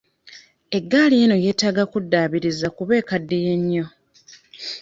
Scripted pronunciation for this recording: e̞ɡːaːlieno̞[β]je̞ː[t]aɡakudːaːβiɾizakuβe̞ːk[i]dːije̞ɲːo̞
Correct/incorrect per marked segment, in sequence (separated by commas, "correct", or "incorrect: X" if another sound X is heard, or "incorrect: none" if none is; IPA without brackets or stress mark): incorrect: none, correct, incorrect: a